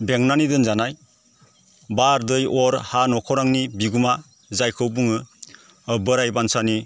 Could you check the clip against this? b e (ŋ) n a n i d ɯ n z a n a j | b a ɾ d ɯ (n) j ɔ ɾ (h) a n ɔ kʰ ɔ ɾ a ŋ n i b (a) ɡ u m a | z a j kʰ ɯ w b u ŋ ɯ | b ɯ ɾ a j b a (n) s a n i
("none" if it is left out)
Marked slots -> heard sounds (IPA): ŋ, none, h, i, n

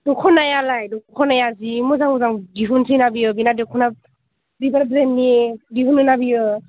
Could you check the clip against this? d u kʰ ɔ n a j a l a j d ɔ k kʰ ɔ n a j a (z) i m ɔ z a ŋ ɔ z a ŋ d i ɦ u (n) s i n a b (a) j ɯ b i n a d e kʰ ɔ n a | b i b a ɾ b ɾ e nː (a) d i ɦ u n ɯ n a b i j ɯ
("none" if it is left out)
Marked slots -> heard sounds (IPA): z, n, i, i

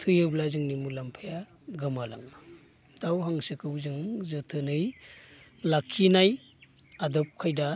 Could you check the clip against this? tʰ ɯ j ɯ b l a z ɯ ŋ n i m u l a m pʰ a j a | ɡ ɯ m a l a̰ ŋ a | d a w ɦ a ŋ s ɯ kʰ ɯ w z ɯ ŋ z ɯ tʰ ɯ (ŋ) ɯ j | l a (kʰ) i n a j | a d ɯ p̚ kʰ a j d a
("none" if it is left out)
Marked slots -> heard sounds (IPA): n, kʰ

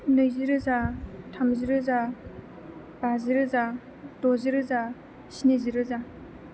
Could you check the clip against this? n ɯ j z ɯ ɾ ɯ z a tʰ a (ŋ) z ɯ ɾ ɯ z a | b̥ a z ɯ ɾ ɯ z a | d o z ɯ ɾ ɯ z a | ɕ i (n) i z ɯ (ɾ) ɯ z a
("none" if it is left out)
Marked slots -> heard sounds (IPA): m, n, ɾ

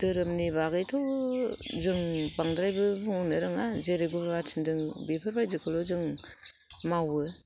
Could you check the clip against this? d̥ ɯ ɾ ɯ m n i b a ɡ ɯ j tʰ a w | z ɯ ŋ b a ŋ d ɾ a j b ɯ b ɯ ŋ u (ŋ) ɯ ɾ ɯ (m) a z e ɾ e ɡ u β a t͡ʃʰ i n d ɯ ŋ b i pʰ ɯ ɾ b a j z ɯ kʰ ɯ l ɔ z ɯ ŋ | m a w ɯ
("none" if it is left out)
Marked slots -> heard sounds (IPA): n, ŋ

